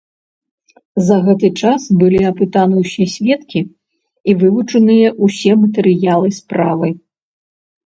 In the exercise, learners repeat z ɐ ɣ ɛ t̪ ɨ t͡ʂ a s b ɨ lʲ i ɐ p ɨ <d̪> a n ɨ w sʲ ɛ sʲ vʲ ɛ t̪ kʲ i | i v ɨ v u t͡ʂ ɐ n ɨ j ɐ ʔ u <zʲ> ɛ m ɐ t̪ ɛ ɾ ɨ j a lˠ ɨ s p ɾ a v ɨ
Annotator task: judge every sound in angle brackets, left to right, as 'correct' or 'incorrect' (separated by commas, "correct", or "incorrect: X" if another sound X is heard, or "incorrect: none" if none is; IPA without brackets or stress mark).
incorrect: t̪, incorrect: sʲ